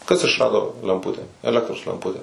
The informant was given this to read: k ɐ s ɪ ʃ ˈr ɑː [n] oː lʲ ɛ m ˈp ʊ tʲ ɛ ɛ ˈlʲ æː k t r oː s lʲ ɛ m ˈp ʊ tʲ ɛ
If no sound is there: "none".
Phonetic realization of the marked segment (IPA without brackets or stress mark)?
d